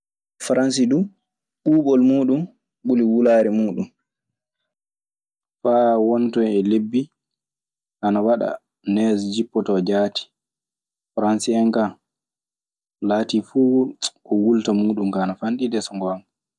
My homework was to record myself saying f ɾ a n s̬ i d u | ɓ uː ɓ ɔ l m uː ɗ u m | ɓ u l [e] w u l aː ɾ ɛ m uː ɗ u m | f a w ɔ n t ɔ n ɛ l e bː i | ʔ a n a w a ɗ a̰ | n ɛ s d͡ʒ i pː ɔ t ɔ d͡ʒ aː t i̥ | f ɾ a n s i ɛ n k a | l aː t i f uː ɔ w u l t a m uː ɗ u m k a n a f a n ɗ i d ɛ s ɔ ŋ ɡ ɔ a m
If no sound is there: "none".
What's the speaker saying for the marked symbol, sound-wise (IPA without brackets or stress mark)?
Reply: i